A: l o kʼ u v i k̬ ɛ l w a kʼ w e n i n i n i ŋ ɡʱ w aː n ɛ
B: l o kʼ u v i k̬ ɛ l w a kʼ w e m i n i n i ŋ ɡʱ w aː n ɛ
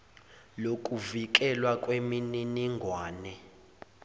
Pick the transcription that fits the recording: B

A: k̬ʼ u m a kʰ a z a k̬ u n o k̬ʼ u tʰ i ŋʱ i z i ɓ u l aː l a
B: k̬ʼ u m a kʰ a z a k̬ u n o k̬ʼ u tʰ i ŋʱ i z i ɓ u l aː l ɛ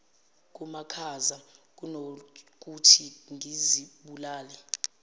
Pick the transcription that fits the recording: B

